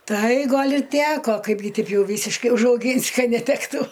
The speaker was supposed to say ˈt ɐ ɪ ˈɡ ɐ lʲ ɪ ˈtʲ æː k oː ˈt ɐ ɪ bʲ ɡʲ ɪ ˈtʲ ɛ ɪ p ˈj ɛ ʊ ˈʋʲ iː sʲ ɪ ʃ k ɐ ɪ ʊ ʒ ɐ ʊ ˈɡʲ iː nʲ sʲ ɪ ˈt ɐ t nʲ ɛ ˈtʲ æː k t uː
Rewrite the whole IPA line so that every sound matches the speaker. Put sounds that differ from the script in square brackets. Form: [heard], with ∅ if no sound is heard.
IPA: ˈt ɐ ɪ ˈɡ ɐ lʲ ɪ ˈtʲ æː k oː [ˈk] ɐ ɪ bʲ ɡʲ ɪ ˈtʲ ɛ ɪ p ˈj ɛ ʊ ˈʋʲ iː sʲ ɪ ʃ k ɐ ɪ ʊ ʒ ɐ ʊ ˈɡʲ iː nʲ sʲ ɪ [ˈk] ɐ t nʲ ɛ ˈtʲ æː k t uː